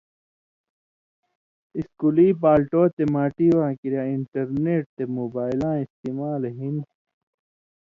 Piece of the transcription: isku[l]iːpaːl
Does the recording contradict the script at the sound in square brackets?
no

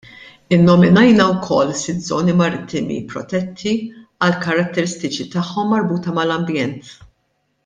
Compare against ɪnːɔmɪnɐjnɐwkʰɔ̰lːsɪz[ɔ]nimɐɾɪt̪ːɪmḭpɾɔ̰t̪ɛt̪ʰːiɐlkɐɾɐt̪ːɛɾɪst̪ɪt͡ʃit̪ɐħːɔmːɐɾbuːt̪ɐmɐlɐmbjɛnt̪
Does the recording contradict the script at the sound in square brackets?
yes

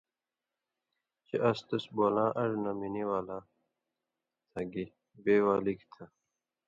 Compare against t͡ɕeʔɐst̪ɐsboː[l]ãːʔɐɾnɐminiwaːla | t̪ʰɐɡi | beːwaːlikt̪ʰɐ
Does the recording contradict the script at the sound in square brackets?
no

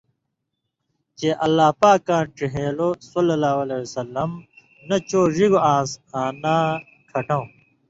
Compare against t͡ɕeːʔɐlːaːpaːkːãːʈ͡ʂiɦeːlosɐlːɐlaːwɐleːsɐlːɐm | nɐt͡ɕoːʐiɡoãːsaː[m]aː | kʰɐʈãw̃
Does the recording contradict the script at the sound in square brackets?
yes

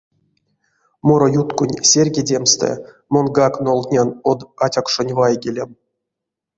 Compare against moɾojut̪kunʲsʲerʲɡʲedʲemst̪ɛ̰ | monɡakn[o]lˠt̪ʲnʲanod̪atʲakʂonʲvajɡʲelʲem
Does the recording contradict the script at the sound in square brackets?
no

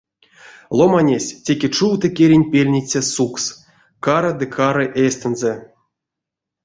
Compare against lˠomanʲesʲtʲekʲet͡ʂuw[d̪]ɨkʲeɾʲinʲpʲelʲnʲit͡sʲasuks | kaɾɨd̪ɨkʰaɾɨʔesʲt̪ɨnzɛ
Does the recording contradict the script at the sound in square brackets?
yes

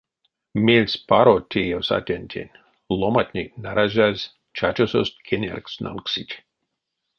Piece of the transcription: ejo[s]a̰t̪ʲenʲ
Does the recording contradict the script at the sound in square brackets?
no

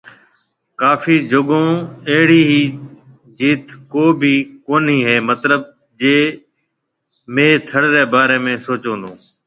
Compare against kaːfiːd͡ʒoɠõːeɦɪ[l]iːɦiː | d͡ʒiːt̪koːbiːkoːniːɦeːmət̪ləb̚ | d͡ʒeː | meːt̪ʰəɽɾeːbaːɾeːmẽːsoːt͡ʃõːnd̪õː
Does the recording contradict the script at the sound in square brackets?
yes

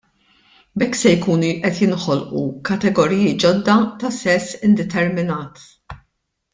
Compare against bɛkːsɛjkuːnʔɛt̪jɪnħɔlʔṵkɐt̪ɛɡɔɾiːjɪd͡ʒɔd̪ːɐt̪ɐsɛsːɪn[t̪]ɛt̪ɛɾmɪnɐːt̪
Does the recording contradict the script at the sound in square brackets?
yes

